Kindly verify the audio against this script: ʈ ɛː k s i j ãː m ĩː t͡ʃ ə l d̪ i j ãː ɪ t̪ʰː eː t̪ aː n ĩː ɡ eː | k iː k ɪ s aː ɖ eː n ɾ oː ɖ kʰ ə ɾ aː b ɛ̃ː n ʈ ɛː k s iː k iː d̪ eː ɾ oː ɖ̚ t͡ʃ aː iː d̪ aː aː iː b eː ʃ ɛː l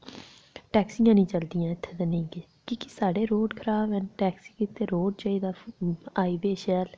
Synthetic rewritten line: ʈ ɛː k s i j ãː n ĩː t͡ʃ ə l d̪ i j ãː ɪ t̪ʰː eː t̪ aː n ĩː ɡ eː | k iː k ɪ s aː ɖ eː ɾ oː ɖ kʰ ə ɾ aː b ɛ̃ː n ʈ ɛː k s iː k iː t̪ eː ɾ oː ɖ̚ t͡ʃ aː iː d̪ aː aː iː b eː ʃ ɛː l